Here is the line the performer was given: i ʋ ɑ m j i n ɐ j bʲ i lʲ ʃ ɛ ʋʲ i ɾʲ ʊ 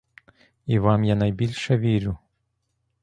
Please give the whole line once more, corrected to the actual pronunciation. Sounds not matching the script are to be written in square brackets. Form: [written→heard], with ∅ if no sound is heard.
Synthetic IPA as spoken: i ʋ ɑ m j [i→a] n ɐ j bʲ i lʲ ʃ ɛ ʋʲ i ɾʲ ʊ